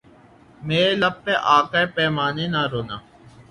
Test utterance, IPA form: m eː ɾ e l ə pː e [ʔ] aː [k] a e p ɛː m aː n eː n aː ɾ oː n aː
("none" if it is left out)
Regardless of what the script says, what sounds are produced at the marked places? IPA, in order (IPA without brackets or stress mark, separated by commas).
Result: ʔ, k